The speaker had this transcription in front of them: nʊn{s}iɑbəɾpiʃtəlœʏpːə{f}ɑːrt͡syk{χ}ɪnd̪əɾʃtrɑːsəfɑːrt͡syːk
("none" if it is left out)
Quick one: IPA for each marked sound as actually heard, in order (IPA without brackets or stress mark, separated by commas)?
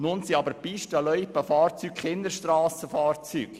s, f, χ